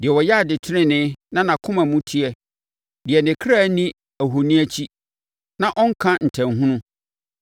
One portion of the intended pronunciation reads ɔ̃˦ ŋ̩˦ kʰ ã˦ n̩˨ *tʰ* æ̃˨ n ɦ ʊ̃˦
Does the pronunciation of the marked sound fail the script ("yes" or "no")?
no